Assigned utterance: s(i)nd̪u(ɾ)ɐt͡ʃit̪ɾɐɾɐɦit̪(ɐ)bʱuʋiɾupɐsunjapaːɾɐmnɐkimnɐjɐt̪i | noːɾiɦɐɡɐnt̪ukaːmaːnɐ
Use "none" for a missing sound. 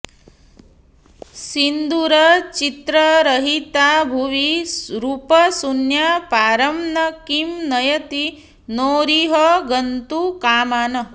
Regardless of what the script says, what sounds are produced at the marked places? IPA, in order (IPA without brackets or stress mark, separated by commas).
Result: i, ɾ, a